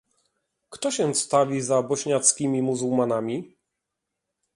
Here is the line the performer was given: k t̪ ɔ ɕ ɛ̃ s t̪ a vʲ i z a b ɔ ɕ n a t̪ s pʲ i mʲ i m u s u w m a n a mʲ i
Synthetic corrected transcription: k t̪ ɔ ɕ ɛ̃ s t̪ a vʲ i z a b ɔ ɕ ɲ a t̪ s kʲ i mʲ i m u z u w m a n a mʲ i